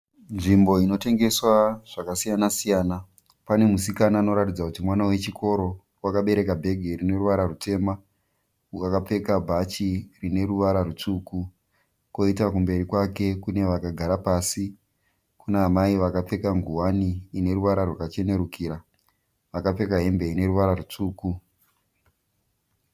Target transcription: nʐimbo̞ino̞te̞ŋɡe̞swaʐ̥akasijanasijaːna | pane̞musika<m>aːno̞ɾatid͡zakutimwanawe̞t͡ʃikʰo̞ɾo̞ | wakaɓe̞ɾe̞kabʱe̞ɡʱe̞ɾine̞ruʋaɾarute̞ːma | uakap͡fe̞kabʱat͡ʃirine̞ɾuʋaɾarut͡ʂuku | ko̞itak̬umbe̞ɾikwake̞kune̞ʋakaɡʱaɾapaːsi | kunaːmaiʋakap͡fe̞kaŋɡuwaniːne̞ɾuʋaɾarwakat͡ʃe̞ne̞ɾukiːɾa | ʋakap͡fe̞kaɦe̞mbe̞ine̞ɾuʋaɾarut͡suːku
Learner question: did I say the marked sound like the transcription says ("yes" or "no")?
no